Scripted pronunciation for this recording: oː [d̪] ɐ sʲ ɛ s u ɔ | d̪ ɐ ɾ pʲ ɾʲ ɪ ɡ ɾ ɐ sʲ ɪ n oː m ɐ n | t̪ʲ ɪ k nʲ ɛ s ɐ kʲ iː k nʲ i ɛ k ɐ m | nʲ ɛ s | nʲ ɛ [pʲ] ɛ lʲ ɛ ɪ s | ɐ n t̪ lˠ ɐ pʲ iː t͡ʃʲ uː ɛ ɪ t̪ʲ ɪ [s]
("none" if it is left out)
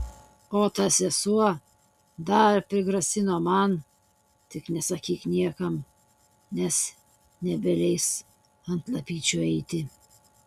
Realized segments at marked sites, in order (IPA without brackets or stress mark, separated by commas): t̪, bʲ, none